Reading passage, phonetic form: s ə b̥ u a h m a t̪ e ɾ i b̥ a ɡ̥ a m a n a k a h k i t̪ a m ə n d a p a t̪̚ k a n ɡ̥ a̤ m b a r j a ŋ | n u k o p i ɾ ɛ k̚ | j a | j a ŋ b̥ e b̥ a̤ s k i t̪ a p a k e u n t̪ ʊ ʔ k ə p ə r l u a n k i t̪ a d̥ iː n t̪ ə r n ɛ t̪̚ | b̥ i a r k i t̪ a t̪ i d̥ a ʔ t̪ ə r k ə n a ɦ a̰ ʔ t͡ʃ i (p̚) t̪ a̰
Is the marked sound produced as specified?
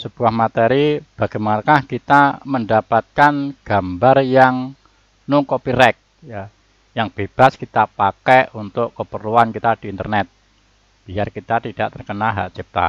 yes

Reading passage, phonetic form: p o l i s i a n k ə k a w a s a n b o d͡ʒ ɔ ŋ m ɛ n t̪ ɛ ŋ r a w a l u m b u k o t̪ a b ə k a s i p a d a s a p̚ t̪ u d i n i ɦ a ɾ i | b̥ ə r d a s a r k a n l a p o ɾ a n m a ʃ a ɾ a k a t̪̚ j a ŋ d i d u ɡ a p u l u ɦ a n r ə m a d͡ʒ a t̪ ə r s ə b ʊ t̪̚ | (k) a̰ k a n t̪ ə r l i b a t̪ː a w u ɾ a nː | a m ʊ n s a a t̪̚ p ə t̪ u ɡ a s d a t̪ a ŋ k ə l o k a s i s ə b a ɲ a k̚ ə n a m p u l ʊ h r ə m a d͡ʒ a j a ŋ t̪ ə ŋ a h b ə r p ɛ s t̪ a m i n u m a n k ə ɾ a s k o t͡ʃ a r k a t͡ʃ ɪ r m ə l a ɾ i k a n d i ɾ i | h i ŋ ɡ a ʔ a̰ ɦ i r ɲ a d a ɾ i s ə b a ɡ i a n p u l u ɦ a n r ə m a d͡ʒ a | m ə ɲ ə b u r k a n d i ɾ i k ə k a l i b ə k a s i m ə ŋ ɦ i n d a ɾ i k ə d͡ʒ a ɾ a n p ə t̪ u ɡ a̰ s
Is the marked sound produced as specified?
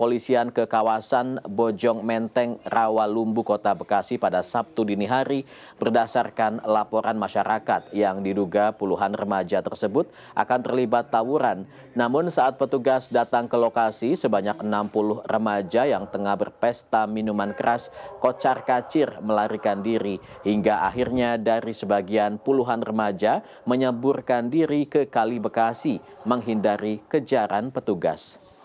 no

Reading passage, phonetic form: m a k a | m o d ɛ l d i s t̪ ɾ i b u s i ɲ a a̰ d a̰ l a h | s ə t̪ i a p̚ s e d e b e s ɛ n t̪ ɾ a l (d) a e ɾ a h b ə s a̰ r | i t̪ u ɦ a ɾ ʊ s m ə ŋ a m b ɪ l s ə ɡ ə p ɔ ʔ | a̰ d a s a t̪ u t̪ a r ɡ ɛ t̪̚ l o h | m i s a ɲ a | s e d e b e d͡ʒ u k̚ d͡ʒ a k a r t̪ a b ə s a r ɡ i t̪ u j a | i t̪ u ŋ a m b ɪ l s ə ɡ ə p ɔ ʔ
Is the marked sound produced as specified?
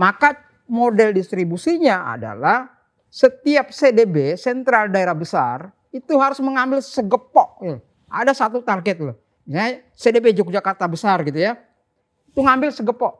yes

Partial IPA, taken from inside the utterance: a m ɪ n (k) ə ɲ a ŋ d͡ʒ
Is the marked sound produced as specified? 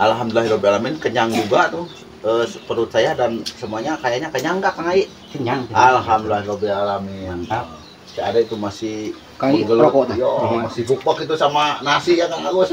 yes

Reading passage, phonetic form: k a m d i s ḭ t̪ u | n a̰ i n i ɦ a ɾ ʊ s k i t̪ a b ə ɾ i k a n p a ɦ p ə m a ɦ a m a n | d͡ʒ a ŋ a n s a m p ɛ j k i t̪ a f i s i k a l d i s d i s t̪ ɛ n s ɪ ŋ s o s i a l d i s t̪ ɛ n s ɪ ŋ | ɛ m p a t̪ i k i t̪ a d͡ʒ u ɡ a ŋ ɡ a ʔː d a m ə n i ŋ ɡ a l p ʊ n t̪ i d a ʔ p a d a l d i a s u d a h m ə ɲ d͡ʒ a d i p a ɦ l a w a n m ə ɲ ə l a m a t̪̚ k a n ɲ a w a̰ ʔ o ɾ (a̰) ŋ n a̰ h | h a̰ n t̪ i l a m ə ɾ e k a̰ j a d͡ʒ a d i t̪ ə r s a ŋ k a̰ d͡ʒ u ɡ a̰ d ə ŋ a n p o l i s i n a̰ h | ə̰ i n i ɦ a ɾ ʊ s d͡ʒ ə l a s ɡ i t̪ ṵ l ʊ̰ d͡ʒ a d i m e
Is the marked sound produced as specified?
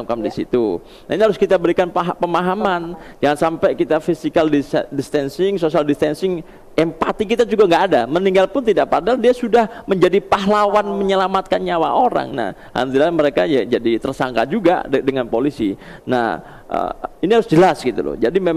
yes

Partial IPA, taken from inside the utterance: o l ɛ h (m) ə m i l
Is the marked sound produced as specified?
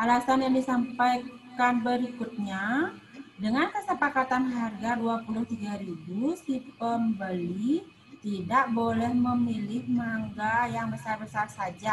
yes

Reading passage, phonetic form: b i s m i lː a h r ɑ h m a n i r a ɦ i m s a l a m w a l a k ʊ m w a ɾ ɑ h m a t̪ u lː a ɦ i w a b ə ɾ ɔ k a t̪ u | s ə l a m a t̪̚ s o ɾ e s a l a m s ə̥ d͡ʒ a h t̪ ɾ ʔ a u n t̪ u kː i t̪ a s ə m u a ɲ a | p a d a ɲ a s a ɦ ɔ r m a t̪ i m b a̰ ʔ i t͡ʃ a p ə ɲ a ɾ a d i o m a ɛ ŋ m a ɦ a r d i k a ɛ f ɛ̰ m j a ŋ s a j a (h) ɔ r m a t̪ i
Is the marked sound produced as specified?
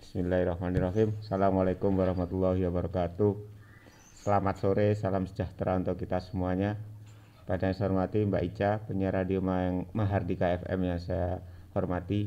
yes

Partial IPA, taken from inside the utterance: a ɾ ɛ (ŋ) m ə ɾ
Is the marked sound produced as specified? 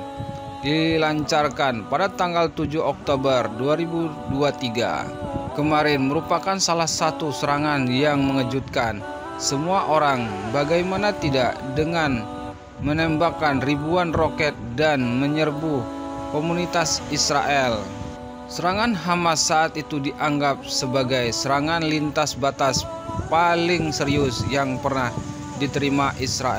no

